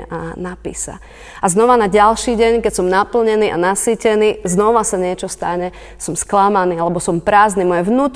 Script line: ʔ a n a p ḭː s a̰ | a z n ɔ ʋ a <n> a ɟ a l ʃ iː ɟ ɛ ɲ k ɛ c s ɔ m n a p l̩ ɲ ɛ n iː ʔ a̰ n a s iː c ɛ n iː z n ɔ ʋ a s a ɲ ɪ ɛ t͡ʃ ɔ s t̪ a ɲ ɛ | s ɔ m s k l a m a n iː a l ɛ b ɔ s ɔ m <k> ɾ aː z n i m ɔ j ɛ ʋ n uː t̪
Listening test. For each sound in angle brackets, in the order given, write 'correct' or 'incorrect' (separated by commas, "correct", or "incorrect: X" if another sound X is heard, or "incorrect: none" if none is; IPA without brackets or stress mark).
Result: correct, incorrect: p